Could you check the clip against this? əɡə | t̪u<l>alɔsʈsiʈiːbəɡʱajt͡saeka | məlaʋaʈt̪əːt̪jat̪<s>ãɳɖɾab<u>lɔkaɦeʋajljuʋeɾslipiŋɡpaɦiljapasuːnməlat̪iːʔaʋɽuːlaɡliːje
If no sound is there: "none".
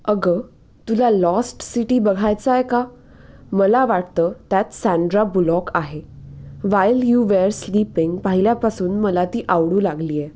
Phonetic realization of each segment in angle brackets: l, s, u

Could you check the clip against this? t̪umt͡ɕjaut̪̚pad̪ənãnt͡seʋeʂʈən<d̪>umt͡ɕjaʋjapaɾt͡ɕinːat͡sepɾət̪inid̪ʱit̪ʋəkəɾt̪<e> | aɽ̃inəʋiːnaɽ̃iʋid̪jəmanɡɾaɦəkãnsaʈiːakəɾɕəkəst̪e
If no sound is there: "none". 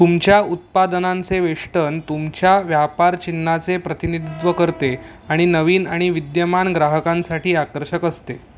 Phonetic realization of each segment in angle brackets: t̪, e

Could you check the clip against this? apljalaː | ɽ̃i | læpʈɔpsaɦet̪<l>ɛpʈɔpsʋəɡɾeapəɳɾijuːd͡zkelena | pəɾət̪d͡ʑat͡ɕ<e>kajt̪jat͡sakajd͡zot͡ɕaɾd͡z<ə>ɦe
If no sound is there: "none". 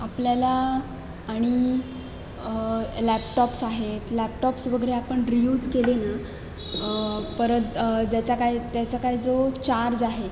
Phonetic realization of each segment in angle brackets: l, a, a

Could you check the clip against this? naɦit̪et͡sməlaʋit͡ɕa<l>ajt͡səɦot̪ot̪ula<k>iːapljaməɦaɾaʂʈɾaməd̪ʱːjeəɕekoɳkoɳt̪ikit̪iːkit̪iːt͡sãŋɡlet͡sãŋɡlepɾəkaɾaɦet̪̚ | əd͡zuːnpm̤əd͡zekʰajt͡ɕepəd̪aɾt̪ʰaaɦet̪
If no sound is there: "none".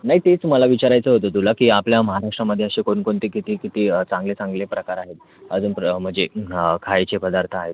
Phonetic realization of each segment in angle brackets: ɾ, k

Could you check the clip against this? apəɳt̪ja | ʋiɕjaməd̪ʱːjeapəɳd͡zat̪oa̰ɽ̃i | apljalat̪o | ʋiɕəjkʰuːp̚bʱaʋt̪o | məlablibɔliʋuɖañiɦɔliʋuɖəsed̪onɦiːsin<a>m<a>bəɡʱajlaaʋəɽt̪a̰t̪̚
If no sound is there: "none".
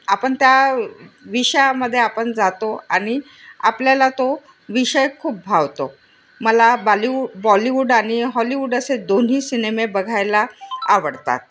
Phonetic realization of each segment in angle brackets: e, e

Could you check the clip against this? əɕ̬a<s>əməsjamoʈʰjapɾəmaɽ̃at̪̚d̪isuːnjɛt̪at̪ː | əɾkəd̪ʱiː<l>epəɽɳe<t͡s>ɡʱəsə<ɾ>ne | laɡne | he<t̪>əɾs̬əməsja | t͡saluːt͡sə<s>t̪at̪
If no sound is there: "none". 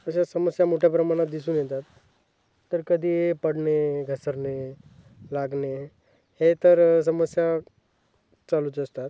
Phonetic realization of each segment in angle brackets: s, none, none, ɾ, t̪, s

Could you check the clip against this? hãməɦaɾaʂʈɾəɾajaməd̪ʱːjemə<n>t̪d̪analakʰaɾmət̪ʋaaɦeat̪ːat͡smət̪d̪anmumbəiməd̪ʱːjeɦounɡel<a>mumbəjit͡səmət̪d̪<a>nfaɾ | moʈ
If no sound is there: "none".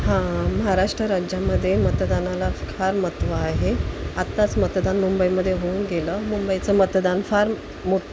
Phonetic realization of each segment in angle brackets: none, ə, a

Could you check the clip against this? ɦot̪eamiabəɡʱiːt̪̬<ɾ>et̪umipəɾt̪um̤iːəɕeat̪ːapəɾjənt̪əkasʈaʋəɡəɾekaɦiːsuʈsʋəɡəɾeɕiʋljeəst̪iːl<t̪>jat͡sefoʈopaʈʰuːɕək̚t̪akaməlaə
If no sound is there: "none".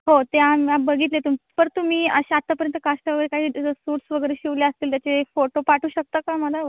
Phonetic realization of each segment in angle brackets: l, t̪

